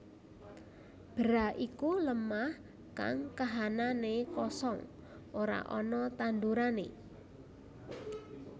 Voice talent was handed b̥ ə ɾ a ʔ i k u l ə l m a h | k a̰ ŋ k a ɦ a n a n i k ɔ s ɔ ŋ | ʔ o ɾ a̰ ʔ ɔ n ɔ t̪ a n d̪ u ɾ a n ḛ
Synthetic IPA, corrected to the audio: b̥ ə ɾ a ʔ i k u l ə m a h | k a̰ ŋ k a ɦ a n a n e k ɔ s ɔ ŋ | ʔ o ɾ a̰ ʔ ɔ n ɔ t̪ a n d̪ u ɾ a n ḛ